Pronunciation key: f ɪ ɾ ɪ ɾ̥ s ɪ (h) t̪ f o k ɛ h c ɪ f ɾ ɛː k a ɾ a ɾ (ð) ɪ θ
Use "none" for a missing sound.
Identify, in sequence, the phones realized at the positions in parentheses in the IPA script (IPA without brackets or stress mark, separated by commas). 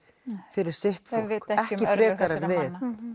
h, v